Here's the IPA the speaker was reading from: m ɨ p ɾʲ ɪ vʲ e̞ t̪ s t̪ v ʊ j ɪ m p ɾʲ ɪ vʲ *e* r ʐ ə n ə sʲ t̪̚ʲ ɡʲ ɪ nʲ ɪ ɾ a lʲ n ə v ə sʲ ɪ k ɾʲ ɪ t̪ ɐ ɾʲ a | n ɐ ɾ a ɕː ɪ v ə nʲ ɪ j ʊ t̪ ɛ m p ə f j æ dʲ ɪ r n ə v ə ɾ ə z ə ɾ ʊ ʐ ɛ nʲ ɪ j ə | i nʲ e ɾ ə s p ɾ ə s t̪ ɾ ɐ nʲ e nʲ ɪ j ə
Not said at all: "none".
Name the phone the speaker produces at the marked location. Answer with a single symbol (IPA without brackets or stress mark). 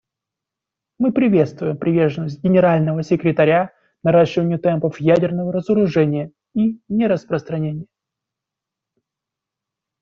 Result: e